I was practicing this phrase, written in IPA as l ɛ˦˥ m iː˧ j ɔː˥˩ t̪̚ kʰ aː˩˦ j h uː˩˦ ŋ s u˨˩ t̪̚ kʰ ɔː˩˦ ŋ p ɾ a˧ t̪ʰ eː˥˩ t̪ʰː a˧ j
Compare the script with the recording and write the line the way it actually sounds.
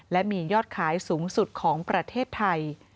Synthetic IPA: l ɛ˦˥ m iː˧ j ɔː˥˩ t̪̚ kʰ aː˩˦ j s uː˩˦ ŋ s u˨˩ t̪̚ kʰ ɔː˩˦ ŋ p ɾ a˧ t̪ʰ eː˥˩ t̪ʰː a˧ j